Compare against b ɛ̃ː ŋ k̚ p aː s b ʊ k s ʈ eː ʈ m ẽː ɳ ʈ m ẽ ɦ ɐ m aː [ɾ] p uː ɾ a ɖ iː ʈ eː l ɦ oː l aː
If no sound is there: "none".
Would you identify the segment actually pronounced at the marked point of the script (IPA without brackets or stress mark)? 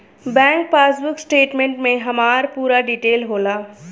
ɾ